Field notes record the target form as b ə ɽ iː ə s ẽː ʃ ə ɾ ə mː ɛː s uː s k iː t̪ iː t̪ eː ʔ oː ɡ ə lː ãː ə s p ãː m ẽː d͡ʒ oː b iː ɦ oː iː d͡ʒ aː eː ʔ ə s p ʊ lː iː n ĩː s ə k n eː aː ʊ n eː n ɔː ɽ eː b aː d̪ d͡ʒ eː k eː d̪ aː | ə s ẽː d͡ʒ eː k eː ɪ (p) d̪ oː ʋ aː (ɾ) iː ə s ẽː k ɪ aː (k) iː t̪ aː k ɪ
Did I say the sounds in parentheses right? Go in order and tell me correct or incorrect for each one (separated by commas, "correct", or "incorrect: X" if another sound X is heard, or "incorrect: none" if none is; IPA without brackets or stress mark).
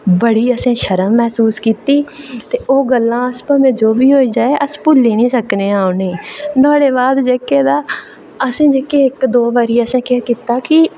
incorrect: k, correct, correct